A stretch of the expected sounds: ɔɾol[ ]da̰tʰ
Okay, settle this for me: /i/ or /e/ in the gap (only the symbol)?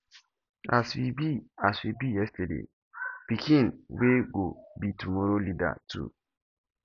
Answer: i